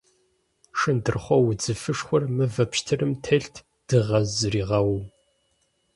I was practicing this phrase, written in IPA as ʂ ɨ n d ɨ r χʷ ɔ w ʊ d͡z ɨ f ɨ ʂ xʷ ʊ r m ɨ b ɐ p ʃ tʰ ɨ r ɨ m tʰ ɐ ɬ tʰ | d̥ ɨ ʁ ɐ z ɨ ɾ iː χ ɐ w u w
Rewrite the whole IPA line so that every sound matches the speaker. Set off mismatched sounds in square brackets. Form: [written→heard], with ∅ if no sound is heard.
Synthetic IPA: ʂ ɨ n d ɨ r χʷ ɔ w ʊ d͡z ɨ f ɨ ʂ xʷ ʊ r m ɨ [b→v] ɐ p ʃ tʰ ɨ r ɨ m tʰ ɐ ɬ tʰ | d̥ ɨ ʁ ɐ z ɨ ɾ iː [χ→ʁ] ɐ w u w